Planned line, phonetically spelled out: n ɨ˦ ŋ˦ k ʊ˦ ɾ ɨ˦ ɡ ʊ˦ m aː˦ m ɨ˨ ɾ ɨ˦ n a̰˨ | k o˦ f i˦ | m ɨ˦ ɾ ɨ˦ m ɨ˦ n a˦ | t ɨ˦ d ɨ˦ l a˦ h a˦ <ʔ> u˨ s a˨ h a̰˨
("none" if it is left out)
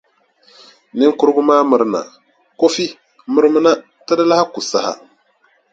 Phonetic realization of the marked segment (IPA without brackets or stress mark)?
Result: k